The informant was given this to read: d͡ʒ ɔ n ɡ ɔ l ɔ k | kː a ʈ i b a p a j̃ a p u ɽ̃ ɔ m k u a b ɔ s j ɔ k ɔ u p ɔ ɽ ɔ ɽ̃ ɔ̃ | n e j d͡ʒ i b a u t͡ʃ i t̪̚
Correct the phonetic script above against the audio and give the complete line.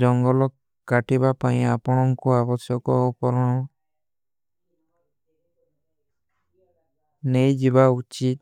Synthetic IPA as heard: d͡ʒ ɔ ŋ ɡ ɔ l ɔ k | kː a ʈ i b a p a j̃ a p ɔ ɽ̃ ɔ ŋ k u a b ɔ s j ɔ k ɔ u p ɔ ɾ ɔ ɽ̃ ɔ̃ | n e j d͡ʒ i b a u t͡ʃ i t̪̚